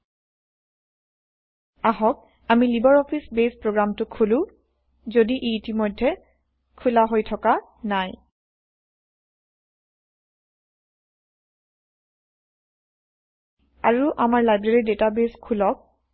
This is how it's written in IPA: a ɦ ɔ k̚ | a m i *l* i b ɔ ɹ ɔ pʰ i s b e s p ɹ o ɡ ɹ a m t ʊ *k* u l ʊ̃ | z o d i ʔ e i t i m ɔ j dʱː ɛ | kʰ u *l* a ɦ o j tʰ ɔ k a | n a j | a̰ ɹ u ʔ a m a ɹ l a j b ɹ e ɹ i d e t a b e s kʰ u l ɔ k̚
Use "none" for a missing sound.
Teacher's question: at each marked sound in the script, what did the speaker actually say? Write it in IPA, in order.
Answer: l, kʰ, l

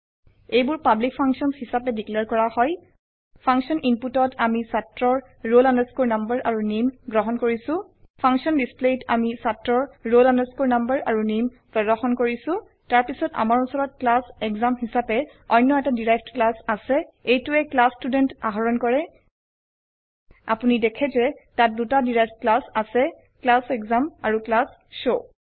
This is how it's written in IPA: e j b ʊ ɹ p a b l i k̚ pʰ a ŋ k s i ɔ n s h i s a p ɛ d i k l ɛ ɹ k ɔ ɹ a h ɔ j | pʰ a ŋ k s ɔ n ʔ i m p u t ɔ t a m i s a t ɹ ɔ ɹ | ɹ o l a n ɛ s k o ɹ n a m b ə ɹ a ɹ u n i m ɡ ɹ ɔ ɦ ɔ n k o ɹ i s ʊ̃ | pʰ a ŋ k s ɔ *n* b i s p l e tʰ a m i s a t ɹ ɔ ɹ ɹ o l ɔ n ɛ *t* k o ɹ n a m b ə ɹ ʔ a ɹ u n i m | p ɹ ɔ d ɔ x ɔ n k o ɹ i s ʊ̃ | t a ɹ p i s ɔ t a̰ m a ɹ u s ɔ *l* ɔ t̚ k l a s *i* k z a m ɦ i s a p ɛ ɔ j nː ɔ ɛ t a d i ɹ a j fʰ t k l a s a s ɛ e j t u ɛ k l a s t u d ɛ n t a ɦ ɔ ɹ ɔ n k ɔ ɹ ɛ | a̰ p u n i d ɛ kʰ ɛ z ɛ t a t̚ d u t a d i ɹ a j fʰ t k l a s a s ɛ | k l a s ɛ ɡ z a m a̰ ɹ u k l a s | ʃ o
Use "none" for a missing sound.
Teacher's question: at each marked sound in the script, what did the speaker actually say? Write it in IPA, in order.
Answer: n, s, ɹ, ɛ

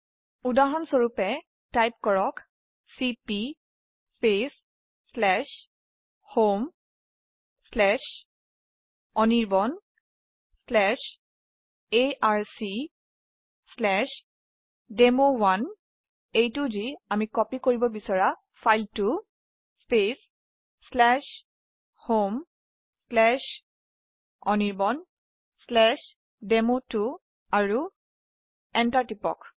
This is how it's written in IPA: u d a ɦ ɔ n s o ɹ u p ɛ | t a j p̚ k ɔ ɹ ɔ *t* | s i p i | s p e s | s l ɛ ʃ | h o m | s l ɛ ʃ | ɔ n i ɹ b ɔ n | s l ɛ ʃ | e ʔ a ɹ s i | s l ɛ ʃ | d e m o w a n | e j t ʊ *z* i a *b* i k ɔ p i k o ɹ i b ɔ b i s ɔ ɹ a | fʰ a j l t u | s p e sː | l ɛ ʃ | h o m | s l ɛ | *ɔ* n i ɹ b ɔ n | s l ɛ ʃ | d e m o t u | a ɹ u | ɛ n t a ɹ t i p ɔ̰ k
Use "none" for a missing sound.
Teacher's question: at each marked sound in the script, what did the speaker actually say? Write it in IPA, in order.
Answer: k, z, m, ɔ

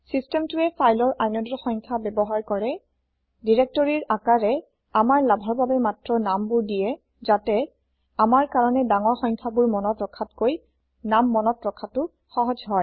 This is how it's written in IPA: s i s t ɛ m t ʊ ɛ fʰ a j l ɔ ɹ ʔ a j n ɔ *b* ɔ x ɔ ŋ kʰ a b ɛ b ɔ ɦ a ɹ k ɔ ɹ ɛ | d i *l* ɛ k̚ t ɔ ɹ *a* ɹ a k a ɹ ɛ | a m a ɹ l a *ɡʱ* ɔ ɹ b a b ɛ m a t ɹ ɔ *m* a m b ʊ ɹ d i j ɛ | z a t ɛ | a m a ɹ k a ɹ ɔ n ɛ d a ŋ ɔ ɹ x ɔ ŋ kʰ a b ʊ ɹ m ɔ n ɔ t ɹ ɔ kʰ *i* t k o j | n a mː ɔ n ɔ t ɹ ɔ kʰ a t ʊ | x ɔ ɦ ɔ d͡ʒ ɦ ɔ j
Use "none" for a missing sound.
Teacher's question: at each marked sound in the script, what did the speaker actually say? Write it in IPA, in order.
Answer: d, ɹ, i, bʱ, n, a

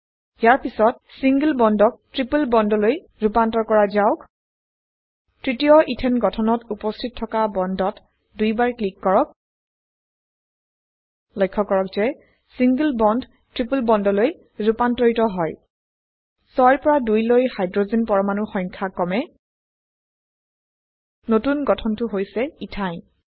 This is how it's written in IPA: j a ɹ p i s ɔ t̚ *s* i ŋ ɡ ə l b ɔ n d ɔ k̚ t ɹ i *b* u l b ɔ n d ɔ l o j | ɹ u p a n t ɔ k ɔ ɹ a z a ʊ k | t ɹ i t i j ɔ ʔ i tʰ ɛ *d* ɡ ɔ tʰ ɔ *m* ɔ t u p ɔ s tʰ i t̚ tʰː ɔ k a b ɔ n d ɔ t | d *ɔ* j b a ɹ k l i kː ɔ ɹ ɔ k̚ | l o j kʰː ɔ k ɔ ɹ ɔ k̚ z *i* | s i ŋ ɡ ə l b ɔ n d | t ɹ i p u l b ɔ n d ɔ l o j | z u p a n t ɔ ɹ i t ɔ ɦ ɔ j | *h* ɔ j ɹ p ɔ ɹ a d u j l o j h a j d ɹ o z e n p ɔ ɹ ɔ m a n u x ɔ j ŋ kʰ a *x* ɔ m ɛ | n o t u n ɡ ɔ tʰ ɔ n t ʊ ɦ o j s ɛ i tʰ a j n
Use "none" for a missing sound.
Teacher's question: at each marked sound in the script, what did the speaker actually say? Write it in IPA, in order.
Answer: s, p, n, n, u, ɛ, s, k

